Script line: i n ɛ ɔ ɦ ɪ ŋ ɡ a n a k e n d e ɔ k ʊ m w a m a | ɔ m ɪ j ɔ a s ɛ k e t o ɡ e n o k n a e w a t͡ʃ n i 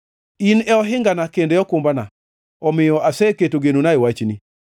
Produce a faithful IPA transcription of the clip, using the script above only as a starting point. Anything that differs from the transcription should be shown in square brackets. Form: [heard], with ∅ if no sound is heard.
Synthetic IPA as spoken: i n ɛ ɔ ɦ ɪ ŋ ɡ a n a k e n d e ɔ k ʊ m [b] a [n] a | ɔ m ɪ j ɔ a s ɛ k e t o ɡ e n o [∅] n a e w a t͡ʃ n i